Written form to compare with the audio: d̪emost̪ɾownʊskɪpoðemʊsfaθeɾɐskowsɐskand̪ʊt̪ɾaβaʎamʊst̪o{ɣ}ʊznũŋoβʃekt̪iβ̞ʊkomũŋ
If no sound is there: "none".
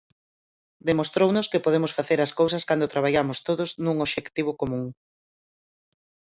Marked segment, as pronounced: ð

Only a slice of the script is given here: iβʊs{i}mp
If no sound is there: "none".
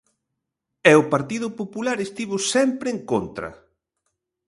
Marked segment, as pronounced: ɛ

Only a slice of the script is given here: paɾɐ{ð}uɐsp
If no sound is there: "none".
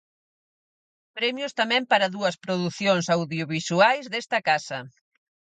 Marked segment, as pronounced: ð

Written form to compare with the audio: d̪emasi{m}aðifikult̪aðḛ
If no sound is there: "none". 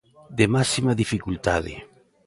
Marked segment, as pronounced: m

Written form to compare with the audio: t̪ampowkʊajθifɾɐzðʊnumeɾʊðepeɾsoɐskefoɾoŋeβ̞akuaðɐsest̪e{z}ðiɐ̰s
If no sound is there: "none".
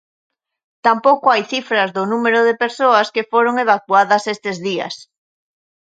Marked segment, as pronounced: z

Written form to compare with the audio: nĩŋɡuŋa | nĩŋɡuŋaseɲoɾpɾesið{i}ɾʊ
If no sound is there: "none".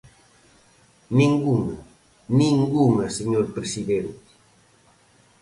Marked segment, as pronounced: e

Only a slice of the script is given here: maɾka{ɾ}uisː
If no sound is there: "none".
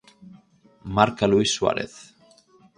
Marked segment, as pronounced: l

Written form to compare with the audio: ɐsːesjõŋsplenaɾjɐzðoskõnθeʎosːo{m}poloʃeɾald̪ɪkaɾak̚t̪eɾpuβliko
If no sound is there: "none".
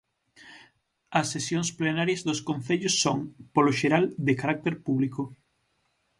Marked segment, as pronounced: ŋ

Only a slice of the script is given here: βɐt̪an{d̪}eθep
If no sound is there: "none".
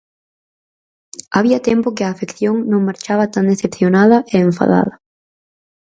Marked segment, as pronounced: d̪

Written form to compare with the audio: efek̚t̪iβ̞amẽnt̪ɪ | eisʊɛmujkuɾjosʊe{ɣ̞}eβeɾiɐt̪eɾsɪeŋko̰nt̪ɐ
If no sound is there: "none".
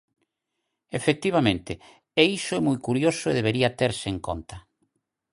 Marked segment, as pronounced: ð̞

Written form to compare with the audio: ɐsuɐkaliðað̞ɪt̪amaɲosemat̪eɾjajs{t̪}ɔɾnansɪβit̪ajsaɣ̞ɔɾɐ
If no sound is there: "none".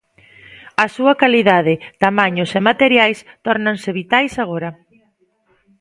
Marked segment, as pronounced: t̪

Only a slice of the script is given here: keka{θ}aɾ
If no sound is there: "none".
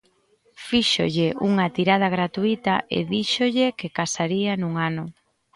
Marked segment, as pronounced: s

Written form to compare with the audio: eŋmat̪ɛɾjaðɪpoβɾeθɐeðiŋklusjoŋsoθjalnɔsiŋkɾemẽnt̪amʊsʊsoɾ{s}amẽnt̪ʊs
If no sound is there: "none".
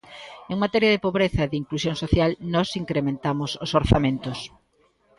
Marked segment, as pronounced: θ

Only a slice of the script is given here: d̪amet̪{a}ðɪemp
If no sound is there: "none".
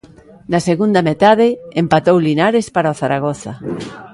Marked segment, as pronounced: a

